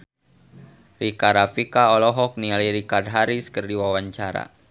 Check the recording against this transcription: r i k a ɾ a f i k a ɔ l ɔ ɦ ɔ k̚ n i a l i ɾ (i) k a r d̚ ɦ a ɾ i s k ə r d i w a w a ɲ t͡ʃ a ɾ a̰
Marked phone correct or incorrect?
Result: correct